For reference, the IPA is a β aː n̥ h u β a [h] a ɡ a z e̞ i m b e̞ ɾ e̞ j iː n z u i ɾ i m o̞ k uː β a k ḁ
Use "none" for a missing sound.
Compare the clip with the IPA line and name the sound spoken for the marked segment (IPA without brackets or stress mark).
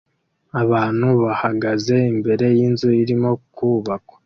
h